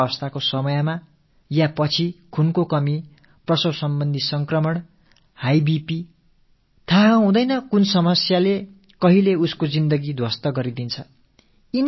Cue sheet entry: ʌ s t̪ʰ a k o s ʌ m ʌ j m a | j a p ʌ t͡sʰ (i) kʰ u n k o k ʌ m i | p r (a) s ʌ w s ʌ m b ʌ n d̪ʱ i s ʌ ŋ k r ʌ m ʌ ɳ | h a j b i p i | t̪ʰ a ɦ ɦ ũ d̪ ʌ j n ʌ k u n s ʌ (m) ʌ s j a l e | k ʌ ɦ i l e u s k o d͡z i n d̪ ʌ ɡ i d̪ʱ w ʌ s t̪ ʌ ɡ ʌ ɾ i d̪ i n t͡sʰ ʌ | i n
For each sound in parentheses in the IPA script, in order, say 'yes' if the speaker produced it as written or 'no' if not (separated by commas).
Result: yes, no, yes